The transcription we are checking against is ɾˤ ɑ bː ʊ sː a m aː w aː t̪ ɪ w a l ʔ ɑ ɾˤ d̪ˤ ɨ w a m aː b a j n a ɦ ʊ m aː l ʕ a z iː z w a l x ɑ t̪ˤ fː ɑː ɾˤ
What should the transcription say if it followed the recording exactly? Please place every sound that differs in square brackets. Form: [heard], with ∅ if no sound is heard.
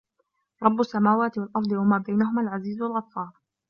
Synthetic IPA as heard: ɾˤ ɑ bː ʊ sː a m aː w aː t̪ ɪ w a l ʔ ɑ ɾˤ d̪ˤ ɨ w a m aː b a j n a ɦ ʊ m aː l ʕ a z iː z w a l [ɣ] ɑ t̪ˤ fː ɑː ɾˤ